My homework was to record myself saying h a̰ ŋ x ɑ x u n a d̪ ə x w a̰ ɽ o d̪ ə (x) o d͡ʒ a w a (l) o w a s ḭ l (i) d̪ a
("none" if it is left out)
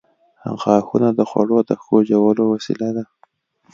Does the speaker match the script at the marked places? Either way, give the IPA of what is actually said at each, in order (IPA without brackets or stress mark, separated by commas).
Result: x, l, a